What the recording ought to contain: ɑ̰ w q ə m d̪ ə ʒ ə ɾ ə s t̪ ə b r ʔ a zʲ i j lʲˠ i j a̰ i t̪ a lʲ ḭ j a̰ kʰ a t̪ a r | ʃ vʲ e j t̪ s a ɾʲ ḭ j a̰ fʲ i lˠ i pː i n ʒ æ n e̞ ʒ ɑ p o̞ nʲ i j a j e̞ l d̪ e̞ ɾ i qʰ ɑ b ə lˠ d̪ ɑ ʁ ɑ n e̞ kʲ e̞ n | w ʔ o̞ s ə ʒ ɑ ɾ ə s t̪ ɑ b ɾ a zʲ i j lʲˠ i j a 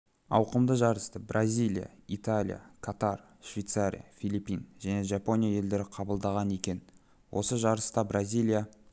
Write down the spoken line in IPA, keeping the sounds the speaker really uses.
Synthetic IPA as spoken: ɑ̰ w q ə m d̪ ə ʒ ɑ ɾ ə s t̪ ə b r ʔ a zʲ i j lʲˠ i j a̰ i t̪ a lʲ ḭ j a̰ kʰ a t̪ a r | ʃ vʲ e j t̪ s a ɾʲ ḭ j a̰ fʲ i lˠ i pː i n ʒ æ n e̞ ʒ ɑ p o̞ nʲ i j a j e̞ l d̪ e̞ ɾ ɪ qʰ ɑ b ə lˠ d̪ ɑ ʁ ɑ n e̞ kʲ e̞ n | w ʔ o̞ s ə ʒ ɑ ɾ ə s t̪ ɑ b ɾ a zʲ i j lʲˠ i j a

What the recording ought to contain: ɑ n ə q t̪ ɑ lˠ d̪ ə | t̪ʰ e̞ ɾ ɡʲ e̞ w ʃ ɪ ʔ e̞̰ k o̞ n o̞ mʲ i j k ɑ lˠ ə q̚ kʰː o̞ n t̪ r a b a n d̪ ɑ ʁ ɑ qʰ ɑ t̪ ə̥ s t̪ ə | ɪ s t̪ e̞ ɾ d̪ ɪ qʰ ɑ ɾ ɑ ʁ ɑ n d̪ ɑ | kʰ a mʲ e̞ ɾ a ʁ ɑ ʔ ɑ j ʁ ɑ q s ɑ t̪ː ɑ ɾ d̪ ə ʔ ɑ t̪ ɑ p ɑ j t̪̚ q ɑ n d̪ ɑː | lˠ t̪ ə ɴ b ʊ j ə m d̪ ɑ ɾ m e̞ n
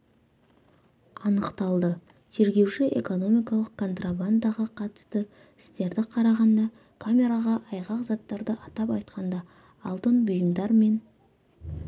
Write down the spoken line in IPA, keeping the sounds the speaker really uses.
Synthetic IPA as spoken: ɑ n ə q t̪ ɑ lˠ d̪ ə | t̪ʰ e̞ ɾ ɡʲ e̞ w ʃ ɪ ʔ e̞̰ k o̞ n o̞ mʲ i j k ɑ lˠ ə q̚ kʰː o̞ n t̪ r a b a n d̪ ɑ ʁ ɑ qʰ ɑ t̪ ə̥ s t̪ ə | ɪ s t̪ e̞ ɾ d̪ ɪ qʰ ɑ ɾ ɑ ʁ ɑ n d̪ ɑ | kʰ a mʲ e̞ ɾ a ʁ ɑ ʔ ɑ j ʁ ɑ q z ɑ t̪ː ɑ ɾ d̪ ə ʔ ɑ t̪ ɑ p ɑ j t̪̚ q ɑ n d̪ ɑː | lˠ t̪ ə n b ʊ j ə m d̪ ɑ ɾ m e̞ n

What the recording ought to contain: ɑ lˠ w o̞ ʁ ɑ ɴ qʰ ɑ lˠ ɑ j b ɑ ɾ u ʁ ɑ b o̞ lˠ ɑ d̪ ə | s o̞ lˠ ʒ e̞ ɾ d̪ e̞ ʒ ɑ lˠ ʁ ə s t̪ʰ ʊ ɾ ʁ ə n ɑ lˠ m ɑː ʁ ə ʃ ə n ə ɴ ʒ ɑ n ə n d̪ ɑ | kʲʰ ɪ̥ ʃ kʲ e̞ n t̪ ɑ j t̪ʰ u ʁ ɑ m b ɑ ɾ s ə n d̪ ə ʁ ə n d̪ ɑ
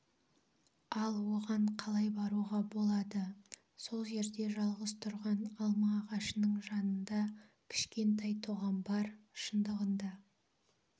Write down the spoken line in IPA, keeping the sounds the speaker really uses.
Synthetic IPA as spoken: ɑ lˠ w o̞ ʁ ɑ ɴ qʰ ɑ lˠ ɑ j b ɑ ɾ u ʁ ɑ b o̞ lˠ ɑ d̪ ə | s o̞ lˠ ʒ e̞ ɾ d̪ e̞ ʒ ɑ lˠ ʁ ə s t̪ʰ ʊ ɾ ʁ ɑ n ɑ lˠ m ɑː ʁ ɑ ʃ ə n ə ɴ ʒ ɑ n ə n d̪ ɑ | kʲʰ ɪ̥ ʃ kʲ e̞ n t̪ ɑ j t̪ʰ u ʁ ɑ m b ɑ ɾ ʃ ə n d̪ ə ʁ ə n d̪ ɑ

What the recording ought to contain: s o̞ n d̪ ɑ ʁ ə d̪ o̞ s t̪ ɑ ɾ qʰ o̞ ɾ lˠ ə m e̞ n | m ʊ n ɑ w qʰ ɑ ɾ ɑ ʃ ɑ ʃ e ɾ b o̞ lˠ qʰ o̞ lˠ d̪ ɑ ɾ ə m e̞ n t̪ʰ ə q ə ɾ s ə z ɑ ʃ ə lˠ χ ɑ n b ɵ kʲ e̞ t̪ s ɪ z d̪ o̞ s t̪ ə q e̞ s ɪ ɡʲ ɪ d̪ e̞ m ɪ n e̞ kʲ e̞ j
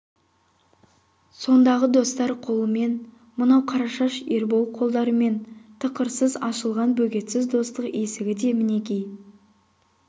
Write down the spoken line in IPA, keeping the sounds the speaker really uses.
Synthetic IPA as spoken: s o̞ n d̪ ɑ ʁ ə d̪ o̞ s t̪ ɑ ɾ qʰ o̞ lˠ ə m e̞ n | m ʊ n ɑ w qʰ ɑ ɾ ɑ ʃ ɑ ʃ e ɾ b o̞ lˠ qʰ o̞ lˠ d̪ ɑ ɾ ə m e̞ n t̪ʰ ə q ə ɾ s ə z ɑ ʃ ə lˠ ʁ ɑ n b ɵ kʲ e̞ t̪ s ɪ z d̪ o̞ s t̪ ə q e̞ s ɪ ɡʲ ɪ d̪ e̞ m ɪ n e̞ kʲ e̞ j

